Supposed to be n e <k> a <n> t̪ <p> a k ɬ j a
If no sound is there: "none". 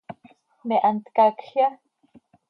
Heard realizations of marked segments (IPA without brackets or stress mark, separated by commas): ʔ, n, k